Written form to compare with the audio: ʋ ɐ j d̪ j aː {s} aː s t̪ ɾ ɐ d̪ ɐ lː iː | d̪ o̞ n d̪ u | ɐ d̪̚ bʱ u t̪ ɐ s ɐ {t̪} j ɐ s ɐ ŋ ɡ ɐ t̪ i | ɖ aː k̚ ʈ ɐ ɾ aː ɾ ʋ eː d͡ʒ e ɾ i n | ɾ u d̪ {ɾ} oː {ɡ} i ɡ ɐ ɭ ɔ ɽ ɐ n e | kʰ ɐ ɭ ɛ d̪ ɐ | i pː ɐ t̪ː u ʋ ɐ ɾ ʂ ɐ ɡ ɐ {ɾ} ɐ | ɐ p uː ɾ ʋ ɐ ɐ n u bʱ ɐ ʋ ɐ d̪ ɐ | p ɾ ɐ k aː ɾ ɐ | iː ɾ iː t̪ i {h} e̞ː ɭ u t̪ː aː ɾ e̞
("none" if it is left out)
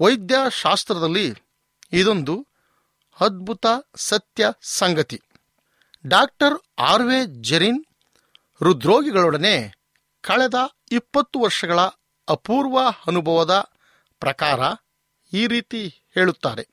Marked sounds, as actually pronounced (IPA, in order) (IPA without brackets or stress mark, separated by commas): ʃ, t̪, ɾ, ɡ, ɭ, h